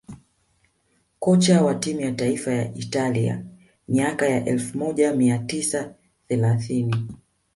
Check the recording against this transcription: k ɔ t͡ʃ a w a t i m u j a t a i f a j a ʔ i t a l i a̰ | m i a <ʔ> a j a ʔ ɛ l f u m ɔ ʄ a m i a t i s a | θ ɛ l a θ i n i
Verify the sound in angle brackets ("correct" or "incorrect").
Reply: incorrect